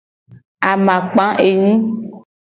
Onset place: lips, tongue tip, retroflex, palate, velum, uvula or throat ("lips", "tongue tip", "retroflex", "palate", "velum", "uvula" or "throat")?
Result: lips